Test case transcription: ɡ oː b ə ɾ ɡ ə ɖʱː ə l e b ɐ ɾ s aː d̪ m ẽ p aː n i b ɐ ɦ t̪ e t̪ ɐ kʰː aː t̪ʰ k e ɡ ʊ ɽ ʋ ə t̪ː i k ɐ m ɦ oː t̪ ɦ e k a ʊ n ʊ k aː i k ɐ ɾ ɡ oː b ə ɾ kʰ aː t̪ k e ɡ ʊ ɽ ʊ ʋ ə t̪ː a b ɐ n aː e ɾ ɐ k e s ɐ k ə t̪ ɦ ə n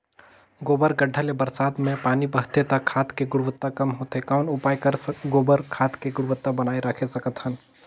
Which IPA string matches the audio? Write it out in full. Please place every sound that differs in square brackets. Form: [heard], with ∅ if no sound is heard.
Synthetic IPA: ɡ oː b ə ɾ ɡ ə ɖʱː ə l e b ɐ ɾ s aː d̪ m ẽ p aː n i b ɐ ɦ t̪ e t̪ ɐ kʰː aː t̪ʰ k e ɡ ʊ ɽ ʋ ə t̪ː [a] k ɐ m ɦ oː t̪ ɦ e k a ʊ n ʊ [p] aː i k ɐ ɾ ɡ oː b ə ɾ kʰ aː t̪ k e ɡ ʊ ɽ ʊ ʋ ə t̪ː a b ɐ n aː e ɾ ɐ [kʰ] e s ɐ k ə t̪ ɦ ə n